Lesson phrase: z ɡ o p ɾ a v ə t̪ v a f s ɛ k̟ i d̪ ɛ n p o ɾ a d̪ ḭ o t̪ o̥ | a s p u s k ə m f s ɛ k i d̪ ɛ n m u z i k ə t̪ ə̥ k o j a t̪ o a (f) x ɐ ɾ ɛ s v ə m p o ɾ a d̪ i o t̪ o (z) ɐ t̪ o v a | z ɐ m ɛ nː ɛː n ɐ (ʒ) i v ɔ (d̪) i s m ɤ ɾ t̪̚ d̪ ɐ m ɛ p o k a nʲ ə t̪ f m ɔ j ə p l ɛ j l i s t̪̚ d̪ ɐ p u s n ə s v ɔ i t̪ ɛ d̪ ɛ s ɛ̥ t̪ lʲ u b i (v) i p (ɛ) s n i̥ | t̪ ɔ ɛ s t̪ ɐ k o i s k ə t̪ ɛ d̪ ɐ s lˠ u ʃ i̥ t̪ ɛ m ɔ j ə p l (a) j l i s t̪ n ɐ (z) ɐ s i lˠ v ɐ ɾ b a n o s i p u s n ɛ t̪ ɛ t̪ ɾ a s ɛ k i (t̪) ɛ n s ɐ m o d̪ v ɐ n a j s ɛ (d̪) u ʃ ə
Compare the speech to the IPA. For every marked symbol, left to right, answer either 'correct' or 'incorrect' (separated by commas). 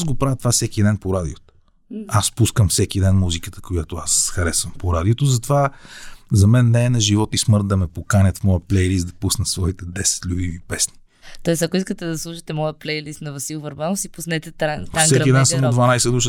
incorrect, correct, correct, incorrect, correct, correct, incorrect, incorrect, incorrect, correct